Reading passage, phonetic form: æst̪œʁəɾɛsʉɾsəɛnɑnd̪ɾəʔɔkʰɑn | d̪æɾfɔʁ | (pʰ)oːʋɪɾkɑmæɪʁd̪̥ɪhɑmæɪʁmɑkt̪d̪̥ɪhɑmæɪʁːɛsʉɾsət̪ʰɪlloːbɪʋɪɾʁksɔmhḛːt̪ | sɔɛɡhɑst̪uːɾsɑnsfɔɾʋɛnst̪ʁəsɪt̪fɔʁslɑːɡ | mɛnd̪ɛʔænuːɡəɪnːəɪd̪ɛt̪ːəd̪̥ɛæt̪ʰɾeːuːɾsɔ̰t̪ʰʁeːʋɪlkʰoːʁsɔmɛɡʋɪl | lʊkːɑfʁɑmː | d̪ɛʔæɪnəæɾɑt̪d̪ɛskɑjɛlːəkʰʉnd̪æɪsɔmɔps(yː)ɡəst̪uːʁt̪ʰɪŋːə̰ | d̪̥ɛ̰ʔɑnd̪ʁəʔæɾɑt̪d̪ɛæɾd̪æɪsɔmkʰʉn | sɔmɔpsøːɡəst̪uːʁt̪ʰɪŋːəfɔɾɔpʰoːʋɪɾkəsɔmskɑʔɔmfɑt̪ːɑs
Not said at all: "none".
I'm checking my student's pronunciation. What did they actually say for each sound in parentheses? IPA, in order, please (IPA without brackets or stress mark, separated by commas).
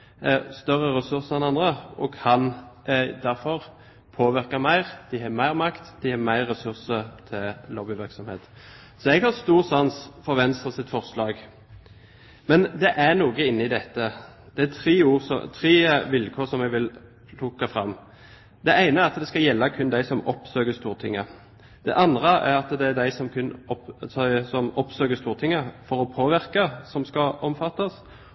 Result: pʰ, øː